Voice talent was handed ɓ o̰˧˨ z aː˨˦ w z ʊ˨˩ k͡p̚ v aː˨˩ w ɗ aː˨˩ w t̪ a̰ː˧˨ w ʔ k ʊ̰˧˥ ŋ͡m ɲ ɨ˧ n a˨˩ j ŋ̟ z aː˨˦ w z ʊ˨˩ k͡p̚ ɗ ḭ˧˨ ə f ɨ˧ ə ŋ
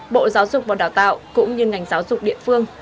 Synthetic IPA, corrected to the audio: ɓ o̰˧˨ z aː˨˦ w z ʊ˨˩ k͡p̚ v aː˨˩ w ɗ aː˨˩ w t̪ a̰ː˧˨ w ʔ k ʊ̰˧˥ ŋ͡m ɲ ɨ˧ ŋ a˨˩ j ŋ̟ z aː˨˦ w z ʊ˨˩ k͡p̚ ɗ ḭ˧˨ ə f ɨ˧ ə ŋ